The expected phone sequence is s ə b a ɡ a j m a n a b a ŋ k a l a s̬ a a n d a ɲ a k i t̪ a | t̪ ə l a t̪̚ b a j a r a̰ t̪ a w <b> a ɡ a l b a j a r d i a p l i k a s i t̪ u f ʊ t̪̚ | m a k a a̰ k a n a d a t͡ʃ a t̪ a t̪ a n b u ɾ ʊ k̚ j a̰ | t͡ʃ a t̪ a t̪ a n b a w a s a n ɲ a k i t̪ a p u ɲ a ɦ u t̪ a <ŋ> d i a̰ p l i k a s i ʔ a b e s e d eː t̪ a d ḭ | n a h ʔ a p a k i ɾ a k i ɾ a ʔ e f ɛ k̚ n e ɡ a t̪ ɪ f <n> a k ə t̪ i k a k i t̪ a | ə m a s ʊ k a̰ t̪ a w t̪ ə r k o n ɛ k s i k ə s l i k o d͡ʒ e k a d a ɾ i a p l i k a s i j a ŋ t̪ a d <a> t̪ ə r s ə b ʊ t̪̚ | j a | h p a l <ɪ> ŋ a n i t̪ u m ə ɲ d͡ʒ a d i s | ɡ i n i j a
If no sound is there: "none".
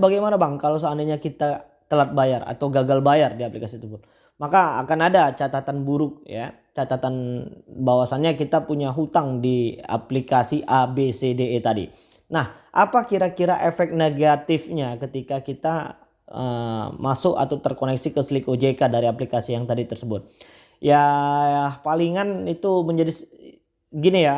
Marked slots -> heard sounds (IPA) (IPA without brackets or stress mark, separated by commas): ɡ, ŋ, ɲ, i, i